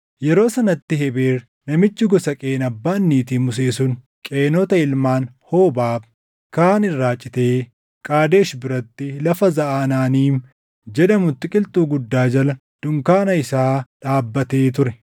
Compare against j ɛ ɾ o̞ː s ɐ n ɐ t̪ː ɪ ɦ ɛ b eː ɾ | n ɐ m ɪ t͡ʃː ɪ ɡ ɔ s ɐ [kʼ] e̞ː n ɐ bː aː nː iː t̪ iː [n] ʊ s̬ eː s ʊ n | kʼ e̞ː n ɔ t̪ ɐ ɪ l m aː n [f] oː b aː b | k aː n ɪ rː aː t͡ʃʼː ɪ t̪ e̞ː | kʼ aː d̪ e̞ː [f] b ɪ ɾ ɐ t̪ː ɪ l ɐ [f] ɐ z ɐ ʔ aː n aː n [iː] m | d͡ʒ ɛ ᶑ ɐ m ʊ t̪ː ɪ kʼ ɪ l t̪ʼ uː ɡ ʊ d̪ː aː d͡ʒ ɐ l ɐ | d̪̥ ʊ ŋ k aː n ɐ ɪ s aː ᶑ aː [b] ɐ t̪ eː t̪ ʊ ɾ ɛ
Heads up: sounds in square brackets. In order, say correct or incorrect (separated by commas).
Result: correct, incorrect, incorrect, incorrect, correct, correct, incorrect